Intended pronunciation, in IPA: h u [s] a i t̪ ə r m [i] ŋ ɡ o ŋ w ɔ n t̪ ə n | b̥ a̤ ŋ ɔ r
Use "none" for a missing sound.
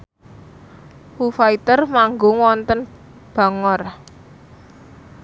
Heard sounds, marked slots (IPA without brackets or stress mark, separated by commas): f, a